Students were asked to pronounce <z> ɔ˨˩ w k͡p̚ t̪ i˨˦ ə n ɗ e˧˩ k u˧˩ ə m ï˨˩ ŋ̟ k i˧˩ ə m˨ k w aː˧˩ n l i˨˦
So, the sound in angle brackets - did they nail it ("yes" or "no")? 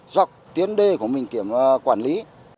yes